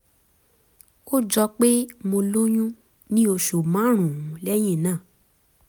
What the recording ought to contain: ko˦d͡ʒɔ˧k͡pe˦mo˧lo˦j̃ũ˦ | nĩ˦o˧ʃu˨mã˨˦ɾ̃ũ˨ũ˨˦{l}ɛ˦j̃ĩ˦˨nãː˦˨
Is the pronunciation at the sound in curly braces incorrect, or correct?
correct